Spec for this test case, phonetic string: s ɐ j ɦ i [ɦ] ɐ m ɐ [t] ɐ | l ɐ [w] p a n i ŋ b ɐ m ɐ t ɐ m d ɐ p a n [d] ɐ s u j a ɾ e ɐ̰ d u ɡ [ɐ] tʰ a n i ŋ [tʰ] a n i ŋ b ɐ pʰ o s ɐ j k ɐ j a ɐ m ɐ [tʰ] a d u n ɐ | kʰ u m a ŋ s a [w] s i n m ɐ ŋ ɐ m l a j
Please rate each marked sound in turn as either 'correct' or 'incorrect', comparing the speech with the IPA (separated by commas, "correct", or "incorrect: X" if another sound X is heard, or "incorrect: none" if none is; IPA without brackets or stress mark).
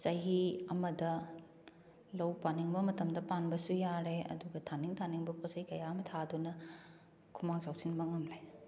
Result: incorrect: none, incorrect: d, correct, incorrect: b, correct, correct, correct, correct